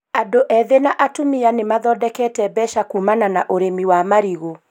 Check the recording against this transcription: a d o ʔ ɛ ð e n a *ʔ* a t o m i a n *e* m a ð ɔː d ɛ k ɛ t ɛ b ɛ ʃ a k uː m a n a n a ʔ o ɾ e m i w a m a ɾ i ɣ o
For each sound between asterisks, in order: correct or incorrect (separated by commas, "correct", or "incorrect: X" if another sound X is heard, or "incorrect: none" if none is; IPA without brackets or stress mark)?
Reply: correct, correct